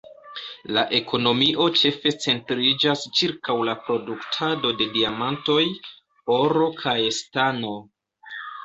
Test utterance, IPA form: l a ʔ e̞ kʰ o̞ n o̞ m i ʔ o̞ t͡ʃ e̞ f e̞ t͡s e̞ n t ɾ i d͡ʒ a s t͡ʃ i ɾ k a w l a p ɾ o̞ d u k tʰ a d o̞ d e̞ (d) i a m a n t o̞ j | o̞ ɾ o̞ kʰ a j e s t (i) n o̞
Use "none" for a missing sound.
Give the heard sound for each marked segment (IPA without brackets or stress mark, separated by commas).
d, a